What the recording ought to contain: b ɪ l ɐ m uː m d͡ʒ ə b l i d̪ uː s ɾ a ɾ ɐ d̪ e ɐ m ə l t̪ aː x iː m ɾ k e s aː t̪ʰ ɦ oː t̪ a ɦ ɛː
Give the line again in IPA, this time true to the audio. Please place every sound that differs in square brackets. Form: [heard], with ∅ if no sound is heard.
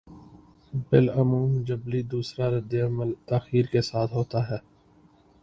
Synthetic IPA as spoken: b ɪ l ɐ m uː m d͡ʒ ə b l i d̪ uː s ɾ a ɾ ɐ d̪ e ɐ m ə l t̪ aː x iː [∅] ɾ k e s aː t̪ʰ ɦ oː t̪ a ɦ ɛː